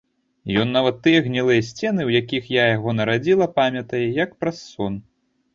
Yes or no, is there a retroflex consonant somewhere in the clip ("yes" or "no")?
no